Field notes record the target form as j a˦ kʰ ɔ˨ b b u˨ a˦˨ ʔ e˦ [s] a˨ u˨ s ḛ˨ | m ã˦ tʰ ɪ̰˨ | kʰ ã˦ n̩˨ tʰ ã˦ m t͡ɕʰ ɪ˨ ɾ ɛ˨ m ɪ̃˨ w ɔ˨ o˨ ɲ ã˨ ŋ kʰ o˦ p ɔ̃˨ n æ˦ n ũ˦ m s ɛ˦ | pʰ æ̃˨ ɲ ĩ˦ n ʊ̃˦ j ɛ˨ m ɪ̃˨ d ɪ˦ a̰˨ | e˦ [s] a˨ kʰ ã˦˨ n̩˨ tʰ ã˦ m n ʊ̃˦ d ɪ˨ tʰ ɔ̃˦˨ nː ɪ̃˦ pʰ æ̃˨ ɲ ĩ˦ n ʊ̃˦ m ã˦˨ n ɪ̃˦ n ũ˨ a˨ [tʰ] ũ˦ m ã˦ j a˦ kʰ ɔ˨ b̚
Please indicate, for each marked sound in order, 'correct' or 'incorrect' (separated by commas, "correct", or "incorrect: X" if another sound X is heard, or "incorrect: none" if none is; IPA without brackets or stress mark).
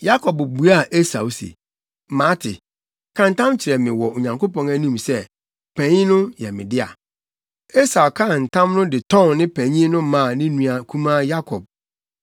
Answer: correct, correct, incorrect: kʰ